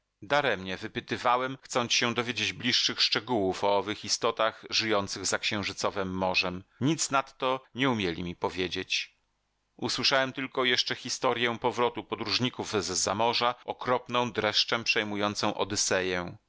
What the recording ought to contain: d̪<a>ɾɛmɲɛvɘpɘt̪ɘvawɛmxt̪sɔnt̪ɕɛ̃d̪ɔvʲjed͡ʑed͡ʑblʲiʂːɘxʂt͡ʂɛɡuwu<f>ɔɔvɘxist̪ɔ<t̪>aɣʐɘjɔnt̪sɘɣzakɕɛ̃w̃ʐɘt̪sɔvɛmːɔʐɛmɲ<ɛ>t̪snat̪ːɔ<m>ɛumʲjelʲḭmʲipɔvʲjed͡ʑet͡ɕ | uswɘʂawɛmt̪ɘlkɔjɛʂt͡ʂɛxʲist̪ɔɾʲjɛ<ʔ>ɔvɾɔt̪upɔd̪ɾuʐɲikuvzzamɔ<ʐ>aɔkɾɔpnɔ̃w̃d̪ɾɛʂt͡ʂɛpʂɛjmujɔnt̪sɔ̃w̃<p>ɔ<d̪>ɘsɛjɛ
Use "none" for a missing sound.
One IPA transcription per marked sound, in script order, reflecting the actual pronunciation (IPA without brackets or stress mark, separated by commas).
a, f, t̪, i, ɲ, p, ʐ, ʔ, d̪